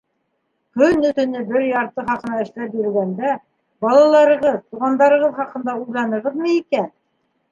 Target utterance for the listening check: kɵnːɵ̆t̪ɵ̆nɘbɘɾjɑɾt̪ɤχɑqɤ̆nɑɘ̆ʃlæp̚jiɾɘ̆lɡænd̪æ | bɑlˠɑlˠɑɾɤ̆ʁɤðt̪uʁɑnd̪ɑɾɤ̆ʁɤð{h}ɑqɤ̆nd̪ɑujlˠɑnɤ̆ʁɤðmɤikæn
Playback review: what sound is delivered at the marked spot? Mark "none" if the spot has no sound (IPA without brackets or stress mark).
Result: χ